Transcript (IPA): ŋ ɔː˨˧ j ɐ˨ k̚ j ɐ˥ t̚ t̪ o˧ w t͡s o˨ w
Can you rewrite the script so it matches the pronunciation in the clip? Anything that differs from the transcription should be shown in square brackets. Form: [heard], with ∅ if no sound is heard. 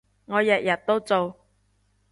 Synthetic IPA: ŋ ɔː˨˧ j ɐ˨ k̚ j [ɐ˨˩] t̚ t̪ [o˥] w t͡s o˨ w